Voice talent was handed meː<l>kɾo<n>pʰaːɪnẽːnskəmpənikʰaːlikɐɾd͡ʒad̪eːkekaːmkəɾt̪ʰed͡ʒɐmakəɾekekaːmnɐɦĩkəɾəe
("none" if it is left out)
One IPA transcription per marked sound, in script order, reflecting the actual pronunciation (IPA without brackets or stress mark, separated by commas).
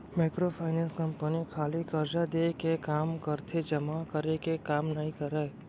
none, none